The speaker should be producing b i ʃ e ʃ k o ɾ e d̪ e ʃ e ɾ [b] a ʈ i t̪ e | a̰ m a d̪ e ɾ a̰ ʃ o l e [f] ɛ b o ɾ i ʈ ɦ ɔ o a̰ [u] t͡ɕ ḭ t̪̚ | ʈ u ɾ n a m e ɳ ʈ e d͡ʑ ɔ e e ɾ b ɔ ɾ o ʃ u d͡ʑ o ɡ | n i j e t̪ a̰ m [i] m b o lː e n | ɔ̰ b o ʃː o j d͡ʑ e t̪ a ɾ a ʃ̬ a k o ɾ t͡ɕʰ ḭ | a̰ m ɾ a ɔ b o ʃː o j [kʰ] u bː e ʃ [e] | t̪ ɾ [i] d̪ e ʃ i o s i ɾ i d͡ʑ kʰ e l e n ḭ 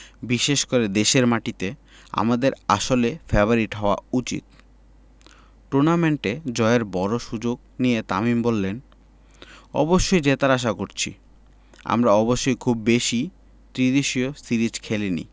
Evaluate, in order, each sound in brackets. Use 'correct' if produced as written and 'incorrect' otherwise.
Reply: incorrect, correct, correct, correct, correct, incorrect, correct

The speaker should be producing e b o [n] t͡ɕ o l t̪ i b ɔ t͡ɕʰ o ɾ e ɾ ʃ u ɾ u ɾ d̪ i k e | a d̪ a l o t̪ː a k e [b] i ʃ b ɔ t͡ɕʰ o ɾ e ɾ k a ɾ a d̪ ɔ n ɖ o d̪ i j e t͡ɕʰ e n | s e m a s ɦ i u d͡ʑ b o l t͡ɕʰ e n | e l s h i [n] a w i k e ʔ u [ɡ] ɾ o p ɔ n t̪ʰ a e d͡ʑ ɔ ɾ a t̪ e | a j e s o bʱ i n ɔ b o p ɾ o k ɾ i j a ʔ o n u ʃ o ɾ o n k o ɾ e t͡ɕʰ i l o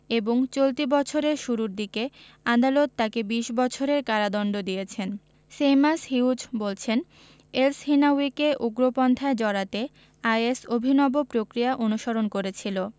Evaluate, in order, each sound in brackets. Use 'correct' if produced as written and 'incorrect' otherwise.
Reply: incorrect, correct, correct, correct

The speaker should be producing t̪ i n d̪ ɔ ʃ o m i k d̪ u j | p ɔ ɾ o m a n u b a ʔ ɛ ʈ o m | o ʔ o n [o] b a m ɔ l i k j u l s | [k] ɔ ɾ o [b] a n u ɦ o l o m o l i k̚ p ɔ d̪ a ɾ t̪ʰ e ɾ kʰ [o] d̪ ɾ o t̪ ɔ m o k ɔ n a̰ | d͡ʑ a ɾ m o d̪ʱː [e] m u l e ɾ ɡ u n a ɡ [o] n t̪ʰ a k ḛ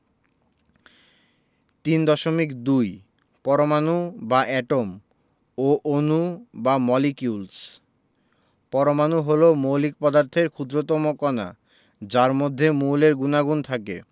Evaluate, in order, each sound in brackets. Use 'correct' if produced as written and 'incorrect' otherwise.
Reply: incorrect, incorrect, incorrect, incorrect, correct, incorrect

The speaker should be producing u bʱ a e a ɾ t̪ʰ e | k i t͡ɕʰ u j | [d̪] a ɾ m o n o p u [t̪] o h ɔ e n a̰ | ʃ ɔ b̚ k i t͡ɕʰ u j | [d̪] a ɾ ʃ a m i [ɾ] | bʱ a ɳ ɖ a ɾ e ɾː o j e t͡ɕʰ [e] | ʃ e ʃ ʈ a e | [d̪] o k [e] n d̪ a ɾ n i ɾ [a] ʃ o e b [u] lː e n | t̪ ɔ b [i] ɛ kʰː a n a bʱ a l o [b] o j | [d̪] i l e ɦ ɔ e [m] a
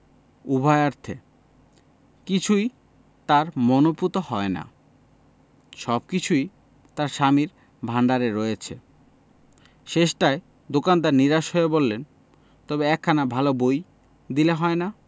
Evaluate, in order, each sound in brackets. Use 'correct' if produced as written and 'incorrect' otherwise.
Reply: incorrect, correct, incorrect, correct, correct, correct, incorrect, correct, incorrect, incorrect, correct, correct, incorrect

